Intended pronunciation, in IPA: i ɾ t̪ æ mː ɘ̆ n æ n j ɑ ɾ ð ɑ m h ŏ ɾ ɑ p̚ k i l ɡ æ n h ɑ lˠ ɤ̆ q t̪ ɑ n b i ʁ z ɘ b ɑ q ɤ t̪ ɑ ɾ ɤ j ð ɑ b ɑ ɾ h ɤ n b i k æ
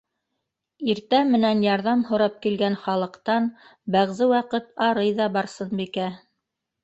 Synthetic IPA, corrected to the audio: i ɾ t̪ æ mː ɘ̆ n æ n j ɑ ɾ ð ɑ m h ŏ ɾ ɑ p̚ k i l ɡ æ n χ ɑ lˠ ɤ̆ q t̪ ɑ n b æ ʁ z ɘ w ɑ q ɤ t̪ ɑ ɾ ɤ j ð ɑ b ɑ ɾ s ɤ n b i k æ